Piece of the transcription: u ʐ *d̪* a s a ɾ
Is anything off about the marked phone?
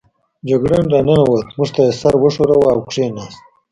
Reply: yes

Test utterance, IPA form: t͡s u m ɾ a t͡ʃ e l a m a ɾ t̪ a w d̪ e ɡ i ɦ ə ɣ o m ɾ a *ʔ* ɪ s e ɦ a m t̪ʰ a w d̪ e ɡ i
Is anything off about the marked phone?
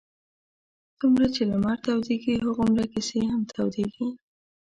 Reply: yes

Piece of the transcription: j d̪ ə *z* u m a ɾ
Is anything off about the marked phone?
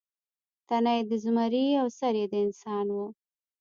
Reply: no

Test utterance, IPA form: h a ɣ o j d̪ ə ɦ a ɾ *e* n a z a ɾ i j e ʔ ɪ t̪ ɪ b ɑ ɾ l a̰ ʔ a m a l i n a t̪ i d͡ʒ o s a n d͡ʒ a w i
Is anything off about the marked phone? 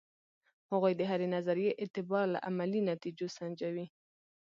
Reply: no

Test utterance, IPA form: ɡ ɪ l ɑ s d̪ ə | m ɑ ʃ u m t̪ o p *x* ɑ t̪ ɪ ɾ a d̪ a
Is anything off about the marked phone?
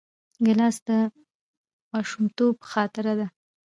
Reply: no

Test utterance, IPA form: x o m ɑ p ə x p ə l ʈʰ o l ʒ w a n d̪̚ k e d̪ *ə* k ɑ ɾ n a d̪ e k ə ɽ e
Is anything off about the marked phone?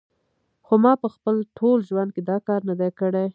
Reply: yes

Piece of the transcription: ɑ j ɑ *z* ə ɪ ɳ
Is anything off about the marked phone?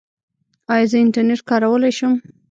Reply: no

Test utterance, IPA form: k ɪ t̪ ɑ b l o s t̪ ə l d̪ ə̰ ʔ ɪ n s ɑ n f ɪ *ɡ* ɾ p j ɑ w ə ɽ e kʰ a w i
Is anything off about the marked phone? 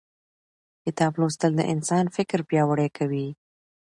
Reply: yes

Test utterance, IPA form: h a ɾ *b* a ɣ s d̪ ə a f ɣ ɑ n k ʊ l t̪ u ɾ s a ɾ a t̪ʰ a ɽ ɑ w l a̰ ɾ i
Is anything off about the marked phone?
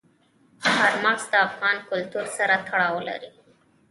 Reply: yes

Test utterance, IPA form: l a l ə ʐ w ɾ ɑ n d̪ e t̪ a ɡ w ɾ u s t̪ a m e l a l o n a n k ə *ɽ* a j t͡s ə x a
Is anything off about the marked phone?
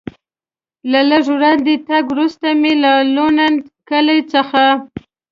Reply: yes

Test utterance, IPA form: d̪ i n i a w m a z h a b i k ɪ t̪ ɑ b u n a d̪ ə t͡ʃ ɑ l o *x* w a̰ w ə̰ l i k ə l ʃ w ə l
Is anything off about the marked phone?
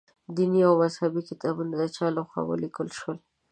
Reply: no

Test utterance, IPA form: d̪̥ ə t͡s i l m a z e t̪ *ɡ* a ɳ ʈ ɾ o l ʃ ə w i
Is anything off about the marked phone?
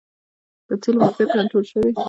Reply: yes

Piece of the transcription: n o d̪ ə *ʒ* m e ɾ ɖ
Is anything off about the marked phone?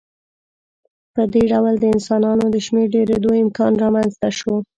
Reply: yes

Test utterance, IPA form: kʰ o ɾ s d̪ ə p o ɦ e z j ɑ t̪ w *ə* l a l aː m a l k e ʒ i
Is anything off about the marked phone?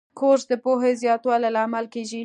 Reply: yes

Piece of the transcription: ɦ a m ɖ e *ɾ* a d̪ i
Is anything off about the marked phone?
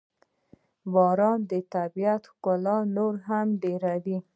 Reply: no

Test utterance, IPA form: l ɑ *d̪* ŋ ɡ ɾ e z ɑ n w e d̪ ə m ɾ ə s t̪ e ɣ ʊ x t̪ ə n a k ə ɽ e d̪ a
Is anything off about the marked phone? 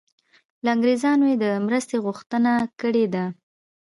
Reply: yes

